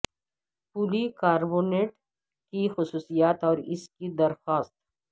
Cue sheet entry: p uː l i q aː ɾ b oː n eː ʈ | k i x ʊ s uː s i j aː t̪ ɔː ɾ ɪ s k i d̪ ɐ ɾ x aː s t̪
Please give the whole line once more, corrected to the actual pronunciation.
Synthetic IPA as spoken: p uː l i k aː ɾ b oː n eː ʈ | k i x ʊ s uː s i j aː t̪ ɔː ɾ ɪ s k i d̪ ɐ ɾ x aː s t̪